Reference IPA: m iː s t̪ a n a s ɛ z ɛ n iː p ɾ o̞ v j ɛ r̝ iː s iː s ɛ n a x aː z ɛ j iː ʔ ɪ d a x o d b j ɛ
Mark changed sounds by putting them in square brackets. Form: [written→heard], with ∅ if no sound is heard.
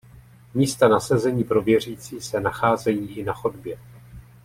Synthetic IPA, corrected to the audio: m iː s t̪ a n a s ɛ z ɛ [n→ɲ] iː p ɾ o̞ v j ɛ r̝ iː [s→t͡s] iː s ɛ n a x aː z ɛ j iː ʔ ɪ [d→n] a x o d b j ɛ